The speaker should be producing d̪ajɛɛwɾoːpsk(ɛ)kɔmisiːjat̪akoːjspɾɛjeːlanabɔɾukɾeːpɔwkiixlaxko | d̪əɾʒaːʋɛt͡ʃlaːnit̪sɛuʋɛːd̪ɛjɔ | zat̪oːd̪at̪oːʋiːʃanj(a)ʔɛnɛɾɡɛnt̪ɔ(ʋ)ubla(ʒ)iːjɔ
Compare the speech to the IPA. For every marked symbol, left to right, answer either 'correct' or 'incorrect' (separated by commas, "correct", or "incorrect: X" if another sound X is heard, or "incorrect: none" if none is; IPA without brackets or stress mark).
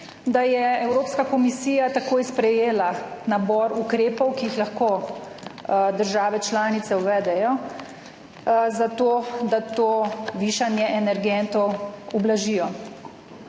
incorrect: a, incorrect: ɛ, incorrect: w, correct